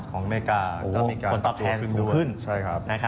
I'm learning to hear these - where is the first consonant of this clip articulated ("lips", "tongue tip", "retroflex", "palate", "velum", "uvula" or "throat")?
velum